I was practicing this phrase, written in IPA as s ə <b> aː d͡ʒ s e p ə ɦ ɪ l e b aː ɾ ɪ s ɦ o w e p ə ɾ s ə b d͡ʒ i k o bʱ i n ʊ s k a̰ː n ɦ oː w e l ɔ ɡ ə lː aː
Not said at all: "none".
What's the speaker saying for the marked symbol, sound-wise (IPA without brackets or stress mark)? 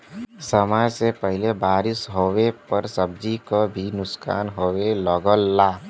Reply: m